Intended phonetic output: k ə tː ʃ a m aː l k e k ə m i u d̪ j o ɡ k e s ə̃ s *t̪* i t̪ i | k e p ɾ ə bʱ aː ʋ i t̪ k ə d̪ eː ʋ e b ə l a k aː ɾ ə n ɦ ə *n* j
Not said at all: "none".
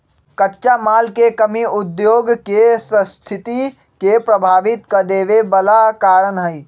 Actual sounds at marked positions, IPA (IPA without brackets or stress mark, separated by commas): t̪ʰ, none